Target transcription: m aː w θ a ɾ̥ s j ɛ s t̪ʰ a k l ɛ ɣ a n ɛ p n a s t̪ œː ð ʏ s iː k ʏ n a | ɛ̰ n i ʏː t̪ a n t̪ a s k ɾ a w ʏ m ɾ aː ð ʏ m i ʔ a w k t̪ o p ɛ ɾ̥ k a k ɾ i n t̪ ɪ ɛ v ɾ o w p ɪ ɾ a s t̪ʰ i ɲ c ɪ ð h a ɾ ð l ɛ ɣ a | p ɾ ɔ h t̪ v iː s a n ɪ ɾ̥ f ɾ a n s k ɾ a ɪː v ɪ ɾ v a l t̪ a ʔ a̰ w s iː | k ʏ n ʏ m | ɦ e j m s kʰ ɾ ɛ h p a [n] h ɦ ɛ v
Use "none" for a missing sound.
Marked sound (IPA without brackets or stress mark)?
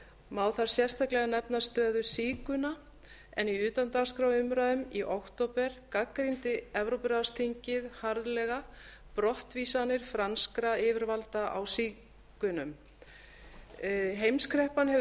n